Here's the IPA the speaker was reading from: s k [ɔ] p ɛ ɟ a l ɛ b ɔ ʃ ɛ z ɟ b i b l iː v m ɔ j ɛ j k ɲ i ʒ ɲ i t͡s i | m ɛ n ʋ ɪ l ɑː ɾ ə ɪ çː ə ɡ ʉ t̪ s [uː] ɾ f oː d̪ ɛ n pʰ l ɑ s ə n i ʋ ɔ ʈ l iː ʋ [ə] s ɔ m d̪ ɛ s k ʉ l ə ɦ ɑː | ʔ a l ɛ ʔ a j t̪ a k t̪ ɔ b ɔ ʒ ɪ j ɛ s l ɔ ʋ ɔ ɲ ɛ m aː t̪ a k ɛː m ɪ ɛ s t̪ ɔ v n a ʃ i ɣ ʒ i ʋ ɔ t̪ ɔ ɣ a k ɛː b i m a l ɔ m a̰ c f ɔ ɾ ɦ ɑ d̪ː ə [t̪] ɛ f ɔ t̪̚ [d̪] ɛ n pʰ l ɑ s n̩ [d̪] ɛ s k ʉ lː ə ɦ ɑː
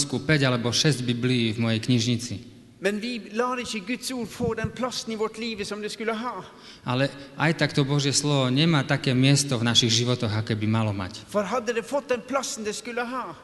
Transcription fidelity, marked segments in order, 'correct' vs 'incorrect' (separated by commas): incorrect, correct, correct, incorrect, correct, correct